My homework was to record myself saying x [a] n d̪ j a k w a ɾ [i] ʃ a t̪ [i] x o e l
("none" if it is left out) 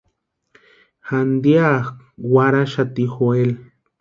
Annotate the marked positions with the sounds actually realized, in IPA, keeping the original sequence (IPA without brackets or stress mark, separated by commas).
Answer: a, a, i